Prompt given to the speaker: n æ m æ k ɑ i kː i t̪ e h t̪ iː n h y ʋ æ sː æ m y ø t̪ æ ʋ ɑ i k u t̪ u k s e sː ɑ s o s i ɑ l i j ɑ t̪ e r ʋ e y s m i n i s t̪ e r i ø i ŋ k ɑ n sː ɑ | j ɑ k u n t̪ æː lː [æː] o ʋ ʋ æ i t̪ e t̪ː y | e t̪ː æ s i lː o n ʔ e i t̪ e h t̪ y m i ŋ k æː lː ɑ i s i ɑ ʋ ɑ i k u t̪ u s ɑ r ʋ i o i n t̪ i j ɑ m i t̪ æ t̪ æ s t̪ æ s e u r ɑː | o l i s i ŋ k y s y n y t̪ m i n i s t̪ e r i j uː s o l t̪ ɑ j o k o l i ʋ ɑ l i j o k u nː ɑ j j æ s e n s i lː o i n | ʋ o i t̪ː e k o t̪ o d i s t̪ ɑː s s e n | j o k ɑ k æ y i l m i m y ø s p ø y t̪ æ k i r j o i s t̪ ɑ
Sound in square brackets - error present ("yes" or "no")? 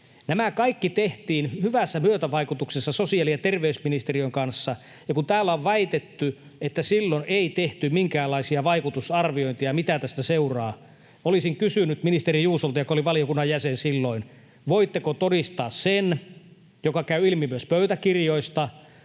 yes